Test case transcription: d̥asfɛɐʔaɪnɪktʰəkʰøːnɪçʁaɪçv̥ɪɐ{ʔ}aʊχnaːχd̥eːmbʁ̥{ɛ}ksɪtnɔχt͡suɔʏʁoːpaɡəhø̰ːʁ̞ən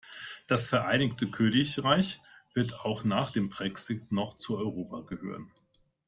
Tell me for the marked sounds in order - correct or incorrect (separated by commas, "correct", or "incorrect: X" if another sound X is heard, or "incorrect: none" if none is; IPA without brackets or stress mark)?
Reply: incorrect: t, correct